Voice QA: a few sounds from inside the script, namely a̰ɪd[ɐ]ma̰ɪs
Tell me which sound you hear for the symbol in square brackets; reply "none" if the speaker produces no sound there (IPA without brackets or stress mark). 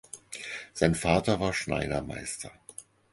ɐ